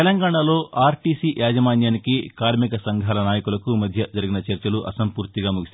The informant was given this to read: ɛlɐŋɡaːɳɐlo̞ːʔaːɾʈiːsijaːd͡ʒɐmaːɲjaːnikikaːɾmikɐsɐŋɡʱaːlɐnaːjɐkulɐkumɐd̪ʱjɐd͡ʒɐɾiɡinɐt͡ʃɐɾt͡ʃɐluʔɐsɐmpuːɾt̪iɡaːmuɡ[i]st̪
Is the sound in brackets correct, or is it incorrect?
correct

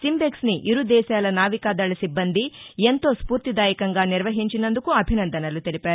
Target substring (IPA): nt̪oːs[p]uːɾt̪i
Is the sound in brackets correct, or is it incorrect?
correct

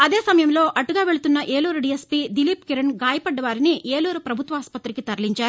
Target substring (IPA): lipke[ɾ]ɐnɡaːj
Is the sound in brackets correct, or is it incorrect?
correct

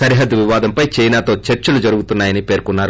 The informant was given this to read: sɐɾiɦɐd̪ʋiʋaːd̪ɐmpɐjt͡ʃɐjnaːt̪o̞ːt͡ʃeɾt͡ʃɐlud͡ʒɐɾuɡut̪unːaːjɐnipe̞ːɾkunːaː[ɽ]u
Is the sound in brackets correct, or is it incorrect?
incorrect: ɾ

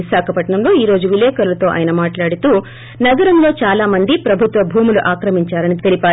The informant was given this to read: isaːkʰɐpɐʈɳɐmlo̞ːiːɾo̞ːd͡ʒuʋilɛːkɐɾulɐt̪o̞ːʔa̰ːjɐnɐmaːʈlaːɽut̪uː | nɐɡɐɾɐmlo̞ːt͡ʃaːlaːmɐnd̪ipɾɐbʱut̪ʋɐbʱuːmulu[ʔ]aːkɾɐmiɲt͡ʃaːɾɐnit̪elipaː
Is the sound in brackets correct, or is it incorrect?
correct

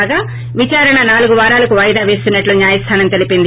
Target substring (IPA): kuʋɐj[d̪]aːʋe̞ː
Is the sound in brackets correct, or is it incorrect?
correct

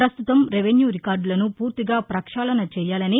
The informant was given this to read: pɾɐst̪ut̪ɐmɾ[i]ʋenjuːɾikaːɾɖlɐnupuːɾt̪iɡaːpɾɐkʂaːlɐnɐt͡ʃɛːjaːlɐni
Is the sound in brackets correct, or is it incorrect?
incorrect: e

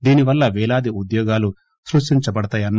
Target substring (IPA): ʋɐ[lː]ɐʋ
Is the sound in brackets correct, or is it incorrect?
correct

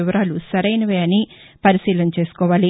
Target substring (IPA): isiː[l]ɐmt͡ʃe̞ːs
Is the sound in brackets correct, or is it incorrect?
correct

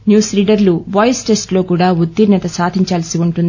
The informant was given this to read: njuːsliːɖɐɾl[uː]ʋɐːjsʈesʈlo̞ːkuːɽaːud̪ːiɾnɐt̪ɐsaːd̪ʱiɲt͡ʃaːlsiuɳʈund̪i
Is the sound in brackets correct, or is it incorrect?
incorrect: u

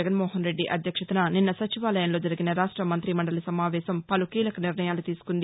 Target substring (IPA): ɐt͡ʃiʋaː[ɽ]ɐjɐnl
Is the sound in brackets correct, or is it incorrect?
incorrect: l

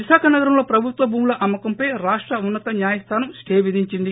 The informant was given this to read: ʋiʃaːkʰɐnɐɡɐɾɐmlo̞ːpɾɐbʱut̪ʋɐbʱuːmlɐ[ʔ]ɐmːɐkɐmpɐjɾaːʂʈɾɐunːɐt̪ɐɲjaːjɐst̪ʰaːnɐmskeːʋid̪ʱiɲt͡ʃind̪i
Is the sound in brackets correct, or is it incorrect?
correct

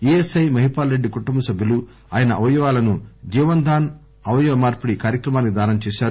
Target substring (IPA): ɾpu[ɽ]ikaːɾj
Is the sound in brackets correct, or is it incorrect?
correct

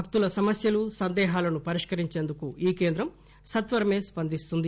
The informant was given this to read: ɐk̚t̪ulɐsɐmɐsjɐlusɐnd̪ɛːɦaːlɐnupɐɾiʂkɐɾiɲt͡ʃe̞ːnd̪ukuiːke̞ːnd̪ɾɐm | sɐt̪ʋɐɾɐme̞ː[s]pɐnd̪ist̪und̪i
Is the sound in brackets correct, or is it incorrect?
correct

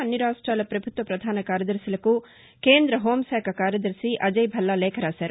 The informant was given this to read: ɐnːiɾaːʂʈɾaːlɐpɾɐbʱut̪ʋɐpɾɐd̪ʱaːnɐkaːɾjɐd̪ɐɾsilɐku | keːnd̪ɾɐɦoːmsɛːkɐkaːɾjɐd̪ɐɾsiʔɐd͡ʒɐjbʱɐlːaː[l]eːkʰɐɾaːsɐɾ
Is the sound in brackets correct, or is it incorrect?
correct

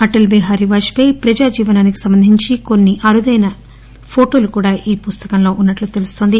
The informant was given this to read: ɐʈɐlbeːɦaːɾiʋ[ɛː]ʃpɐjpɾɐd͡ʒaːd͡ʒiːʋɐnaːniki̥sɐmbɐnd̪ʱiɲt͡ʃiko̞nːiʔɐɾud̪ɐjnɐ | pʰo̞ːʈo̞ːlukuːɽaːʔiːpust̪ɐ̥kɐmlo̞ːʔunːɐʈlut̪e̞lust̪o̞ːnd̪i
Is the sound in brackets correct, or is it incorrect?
incorrect: aː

